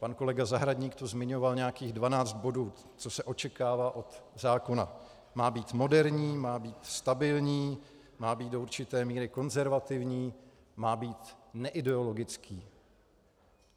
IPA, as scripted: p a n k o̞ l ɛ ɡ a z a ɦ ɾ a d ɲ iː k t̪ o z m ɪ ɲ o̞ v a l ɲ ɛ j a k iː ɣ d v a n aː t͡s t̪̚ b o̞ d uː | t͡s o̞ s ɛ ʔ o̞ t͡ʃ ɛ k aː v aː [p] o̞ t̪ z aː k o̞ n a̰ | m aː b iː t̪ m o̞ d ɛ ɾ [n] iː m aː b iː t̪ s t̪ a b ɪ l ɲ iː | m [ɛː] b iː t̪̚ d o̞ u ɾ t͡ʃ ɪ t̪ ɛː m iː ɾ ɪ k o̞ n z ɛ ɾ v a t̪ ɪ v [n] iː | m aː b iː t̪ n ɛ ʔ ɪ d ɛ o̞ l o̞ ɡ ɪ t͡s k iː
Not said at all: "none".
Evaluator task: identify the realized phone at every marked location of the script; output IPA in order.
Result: ʔ, ɲ, aː, ɲ

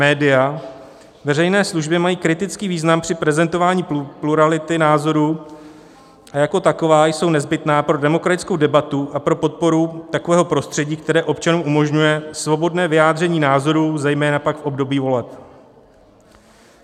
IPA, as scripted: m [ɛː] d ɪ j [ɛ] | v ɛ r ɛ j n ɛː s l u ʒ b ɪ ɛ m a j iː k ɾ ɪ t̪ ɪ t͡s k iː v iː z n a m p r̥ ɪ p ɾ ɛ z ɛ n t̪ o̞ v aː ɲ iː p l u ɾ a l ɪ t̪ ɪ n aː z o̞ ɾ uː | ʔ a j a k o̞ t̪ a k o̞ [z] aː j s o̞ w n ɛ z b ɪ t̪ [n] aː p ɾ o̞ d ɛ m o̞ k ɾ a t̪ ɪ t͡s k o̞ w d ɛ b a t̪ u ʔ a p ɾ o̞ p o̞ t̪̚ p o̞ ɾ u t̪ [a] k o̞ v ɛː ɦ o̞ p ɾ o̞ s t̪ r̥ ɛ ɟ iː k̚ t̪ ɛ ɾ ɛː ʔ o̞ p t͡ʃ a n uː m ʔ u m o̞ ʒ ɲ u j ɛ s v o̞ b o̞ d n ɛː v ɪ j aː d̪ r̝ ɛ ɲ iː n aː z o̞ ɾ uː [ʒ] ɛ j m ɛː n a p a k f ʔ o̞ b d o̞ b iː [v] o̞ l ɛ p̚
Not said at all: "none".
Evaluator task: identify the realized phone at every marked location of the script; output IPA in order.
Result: ɛː, a, v, n, a, z, v

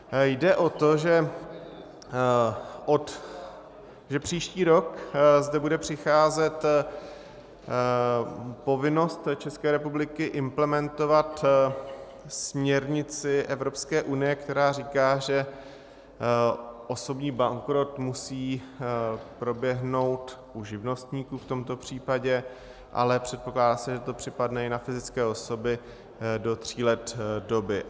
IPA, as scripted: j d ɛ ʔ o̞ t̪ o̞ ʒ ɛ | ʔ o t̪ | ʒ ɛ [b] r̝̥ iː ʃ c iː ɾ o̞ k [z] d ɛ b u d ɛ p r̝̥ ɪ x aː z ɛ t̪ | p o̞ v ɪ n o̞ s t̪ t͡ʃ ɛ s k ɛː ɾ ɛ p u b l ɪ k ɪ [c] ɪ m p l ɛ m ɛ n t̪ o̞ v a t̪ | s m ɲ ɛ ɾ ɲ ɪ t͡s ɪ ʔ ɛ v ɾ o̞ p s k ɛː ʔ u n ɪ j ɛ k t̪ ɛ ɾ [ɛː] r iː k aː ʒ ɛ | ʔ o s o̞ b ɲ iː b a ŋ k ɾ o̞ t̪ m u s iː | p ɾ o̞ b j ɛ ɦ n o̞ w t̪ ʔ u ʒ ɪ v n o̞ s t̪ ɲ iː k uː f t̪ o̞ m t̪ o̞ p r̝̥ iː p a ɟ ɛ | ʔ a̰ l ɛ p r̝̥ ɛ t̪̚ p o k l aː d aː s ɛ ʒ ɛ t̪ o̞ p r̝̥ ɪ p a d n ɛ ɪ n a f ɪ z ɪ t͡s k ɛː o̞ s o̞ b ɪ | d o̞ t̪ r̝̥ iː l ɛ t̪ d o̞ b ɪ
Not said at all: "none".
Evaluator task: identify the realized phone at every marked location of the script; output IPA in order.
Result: p, z, ʔ, aː

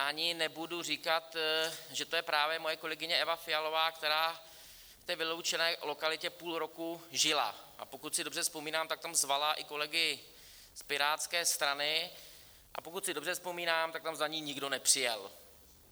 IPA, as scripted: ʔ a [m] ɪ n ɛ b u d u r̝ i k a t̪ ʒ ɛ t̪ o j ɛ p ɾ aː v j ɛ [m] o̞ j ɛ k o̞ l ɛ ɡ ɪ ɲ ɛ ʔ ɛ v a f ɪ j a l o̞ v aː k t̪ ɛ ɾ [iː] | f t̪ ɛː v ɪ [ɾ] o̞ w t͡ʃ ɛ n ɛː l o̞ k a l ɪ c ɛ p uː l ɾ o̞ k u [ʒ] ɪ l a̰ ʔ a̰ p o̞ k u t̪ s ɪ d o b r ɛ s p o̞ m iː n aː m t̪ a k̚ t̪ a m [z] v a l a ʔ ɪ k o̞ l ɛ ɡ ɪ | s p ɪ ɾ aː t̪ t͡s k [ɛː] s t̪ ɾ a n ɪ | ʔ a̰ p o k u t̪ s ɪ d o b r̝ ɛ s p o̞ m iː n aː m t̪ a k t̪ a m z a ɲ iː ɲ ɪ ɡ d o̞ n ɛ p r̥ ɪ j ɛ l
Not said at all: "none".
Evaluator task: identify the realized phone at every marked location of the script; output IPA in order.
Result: ɲ, m, aː, l, ʒ, z, ɛː

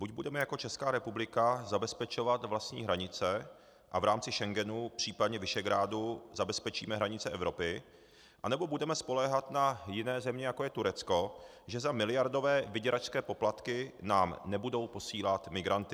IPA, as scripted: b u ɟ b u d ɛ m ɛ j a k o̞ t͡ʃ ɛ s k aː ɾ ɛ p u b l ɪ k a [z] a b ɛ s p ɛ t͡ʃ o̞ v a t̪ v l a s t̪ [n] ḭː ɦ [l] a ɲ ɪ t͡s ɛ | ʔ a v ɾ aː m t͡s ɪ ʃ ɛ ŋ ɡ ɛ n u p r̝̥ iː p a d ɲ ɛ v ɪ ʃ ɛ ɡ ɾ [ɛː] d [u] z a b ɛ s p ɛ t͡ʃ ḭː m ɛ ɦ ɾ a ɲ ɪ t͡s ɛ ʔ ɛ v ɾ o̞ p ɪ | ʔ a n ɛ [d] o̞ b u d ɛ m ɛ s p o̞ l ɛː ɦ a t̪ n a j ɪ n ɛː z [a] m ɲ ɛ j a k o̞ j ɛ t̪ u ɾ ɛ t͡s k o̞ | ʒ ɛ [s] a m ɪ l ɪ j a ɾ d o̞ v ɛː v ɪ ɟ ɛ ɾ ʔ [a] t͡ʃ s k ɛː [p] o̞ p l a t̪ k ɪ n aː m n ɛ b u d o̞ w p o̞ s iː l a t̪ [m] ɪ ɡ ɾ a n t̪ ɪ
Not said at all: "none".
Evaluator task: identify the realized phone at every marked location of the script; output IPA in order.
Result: z, ɲ, ɾ, aː, u, b, ɛ, z, a, p, m

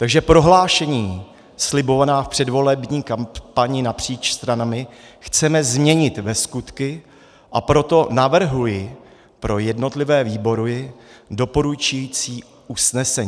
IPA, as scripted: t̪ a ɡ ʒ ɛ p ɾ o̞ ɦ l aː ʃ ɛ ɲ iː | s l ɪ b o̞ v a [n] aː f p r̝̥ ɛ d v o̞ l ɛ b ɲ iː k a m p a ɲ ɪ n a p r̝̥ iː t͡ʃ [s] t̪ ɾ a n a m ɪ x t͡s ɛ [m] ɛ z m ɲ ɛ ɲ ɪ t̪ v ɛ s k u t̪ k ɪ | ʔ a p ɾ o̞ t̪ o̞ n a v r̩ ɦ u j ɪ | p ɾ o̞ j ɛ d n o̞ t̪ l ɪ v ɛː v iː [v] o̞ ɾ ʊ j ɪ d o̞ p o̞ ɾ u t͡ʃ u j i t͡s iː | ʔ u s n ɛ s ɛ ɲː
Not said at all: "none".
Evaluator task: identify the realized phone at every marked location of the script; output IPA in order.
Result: n, s, m, b

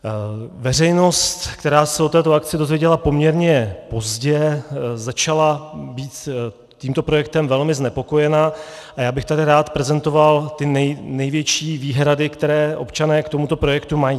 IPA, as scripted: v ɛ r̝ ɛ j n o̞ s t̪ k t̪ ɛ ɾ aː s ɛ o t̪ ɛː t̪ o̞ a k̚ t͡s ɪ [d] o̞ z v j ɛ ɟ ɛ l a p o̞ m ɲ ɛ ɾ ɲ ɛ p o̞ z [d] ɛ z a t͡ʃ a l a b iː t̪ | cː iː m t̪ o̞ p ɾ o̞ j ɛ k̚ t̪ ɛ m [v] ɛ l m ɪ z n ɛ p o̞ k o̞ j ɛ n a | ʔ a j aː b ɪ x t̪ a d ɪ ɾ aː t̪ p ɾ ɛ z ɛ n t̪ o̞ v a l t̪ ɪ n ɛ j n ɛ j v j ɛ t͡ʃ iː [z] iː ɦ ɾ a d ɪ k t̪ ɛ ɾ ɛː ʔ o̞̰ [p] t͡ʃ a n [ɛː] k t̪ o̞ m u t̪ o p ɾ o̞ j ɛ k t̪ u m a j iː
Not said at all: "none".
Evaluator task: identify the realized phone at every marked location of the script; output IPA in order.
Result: d, ɟ, v, v, p, ɛː

